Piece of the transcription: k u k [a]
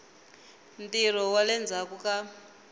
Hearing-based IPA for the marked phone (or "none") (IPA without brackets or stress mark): a